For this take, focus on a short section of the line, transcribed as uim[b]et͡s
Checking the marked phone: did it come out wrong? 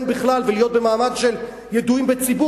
no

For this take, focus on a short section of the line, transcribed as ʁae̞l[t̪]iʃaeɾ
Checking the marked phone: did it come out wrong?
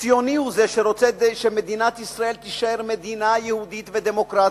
no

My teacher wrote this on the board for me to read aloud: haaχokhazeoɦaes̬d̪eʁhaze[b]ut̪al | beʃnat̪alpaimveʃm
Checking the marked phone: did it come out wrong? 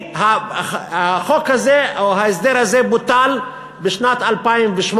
no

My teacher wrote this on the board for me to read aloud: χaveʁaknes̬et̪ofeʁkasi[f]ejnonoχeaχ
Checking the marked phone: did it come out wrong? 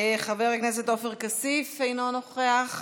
no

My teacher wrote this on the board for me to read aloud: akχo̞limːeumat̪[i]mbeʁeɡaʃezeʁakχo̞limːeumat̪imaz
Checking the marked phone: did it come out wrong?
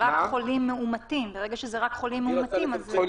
no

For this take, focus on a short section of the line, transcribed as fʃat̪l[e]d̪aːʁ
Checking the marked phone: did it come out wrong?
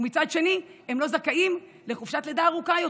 no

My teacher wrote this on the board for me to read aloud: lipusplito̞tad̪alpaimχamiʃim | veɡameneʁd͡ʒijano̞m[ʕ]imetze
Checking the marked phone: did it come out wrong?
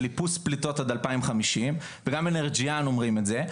yes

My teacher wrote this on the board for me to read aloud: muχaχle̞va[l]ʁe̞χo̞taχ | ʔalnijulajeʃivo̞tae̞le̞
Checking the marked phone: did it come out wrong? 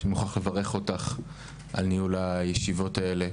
yes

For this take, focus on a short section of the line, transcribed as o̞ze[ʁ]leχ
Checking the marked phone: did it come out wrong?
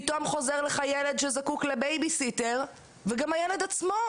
no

